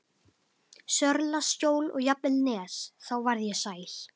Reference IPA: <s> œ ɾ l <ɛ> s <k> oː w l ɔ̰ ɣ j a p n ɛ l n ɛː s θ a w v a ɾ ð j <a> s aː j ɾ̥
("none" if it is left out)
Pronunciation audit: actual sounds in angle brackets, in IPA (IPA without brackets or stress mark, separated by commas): s, a, c, ɛ